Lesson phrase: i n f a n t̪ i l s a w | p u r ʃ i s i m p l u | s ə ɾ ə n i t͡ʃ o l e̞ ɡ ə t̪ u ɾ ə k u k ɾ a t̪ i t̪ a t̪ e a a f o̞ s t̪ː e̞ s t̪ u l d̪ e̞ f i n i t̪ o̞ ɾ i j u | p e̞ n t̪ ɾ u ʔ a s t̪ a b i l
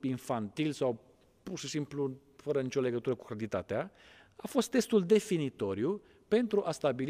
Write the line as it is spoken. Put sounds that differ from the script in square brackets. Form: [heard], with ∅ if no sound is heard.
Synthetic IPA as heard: i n f a n t̪ i l s a w | p u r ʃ i s i m p l u | [f] ə ɾ ə n i t͡ʃ o l e̞ ɡ ə t̪ u ɾ ə k u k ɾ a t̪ i t̪ a t̪ e a a f o̞ s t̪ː e̞ s t̪ u l d̪ e̞ f i n i t̪ o̞ ɾ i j u | p e̞ n t̪ ɾ u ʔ a s t̪ a b i l